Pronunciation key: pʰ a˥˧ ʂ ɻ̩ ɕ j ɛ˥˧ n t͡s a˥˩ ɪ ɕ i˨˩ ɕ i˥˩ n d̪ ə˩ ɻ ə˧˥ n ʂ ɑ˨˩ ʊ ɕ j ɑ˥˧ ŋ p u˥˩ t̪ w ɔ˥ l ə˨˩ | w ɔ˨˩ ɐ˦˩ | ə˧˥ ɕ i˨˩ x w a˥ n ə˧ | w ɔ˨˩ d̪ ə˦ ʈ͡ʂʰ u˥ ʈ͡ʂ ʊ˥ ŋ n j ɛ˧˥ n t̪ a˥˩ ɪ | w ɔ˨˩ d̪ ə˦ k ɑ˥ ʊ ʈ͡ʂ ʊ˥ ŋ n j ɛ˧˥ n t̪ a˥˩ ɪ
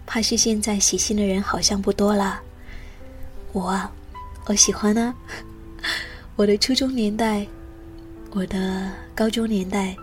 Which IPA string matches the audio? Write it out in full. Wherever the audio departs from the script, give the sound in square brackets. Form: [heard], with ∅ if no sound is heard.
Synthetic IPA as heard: pʰ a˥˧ ʂ ɻ̩ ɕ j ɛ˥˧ n t͡s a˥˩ ɪ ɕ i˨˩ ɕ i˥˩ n d̪ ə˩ ɻ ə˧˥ n [x] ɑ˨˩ ʊ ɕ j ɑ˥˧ ŋ p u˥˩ t̪ w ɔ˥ l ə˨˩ | w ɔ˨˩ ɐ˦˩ | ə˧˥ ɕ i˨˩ x w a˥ n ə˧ | w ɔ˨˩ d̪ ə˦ ʈ͡ʂʰ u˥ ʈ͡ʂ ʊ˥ ŋ n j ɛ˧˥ n t̪ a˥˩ ɪ | w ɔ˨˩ d̪ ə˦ k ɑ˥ ʊ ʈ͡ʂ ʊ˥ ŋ n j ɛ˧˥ n t̪ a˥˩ ɪ